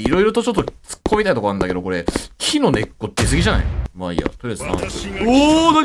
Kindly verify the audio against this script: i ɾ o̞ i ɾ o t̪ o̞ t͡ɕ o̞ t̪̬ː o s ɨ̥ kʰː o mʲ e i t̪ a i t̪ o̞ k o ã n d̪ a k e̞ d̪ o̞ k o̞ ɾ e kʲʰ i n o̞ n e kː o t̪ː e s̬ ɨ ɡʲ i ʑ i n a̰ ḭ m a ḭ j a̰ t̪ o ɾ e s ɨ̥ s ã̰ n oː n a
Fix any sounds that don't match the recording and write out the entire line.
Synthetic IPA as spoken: i ɾ o̞ i ɾ o t̪ o̞ t͡ɕ o̞ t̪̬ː o t͡s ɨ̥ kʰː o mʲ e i t̪ a i t̪ o̞ k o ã n d̪ a k e̞ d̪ o̞ k o̞ ɾ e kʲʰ i n o̞ n e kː o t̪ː e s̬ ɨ ɡʲ i ʑ a n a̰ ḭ m a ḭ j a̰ t̪ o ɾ e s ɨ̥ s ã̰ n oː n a